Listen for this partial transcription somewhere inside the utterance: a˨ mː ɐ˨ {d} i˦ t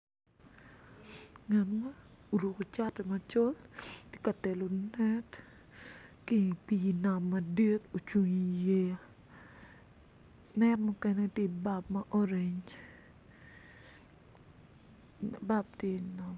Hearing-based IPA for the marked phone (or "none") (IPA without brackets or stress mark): d